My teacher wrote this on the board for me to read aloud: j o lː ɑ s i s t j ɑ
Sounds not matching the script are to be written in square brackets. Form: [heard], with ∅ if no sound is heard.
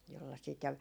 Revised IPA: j o lː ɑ s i [∅] t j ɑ